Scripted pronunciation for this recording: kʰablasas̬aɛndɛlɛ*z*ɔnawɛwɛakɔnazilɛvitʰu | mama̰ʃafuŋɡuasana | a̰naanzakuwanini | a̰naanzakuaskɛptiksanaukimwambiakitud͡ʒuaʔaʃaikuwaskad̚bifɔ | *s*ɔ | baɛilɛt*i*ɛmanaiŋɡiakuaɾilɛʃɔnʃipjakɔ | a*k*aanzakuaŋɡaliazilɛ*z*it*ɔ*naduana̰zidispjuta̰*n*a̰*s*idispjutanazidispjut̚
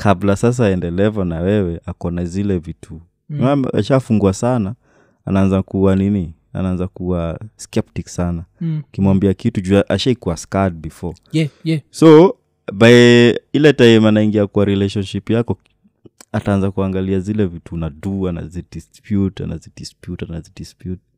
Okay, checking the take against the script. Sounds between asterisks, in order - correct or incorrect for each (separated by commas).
incorrect, correct, incorrect, incorrect, incorrect, incorrect, correct, incorrect